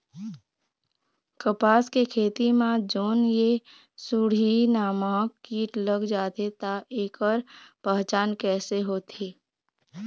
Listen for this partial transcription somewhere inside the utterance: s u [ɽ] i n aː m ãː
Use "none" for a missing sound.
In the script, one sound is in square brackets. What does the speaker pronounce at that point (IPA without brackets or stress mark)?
ɽ